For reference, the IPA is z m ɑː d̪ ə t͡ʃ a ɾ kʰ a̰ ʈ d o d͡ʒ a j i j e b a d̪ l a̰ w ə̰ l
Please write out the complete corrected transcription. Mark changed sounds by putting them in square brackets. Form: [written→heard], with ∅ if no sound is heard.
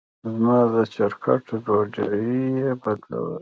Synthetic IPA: z m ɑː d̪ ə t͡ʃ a ɾ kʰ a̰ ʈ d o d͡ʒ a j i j e b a d̪ l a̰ w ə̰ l